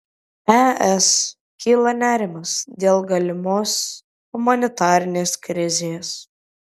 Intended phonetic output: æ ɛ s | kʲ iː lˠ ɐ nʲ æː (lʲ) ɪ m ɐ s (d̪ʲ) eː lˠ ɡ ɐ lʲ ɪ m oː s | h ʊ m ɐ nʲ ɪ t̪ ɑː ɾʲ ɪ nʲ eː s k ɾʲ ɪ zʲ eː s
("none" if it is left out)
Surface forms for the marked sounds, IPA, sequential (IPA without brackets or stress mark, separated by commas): ɾʲ, d̪ʲ